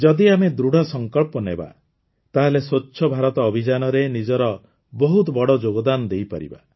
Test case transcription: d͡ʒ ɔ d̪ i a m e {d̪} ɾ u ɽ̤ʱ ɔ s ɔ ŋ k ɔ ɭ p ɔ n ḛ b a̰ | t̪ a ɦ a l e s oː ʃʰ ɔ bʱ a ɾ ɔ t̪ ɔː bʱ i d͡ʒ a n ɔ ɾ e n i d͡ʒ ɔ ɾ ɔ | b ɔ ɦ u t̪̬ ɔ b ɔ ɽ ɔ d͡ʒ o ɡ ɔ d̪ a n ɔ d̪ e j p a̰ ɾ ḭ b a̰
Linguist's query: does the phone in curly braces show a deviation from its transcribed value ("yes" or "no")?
no